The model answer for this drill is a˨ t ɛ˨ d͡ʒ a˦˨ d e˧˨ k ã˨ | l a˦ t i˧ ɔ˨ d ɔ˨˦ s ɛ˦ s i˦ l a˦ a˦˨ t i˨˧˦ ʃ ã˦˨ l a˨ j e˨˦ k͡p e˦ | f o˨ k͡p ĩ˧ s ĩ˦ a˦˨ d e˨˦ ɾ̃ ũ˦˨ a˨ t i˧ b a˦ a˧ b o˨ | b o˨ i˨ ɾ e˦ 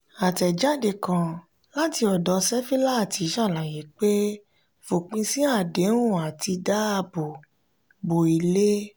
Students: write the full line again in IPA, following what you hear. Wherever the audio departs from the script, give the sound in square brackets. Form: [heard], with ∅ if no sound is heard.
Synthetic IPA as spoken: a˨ t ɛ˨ d͡ʒ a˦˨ d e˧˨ k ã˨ | l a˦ t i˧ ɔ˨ d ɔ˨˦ s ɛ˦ [f] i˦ l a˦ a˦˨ t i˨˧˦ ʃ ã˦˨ l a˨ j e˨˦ k͡p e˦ | f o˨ k͡p ĩ˧ s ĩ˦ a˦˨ d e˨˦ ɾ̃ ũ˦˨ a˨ t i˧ [d] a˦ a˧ b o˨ | b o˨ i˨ [l] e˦